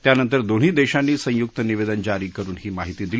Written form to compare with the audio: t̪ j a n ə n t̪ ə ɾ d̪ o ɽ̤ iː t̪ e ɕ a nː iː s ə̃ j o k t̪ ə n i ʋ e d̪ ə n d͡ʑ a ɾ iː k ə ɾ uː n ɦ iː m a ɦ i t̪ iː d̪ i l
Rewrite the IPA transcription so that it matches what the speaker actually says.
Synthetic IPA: t̪ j a n ə n t̪ ə ɾ d̪ o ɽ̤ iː d̪ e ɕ a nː iː s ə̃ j u k t̪ ə n i ʋ e d̪ ə n d͡ʑ a ɾ iː k ə ɾ uː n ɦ iː m a ɦ i t̪ iː d̪ i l